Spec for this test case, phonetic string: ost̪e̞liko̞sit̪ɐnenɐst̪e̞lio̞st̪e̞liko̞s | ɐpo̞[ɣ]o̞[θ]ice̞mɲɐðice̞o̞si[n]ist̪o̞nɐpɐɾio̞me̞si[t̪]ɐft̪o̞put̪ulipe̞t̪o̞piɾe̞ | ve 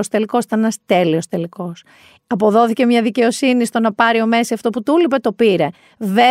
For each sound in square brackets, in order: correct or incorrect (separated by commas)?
incorrect, correct, correct, incorrect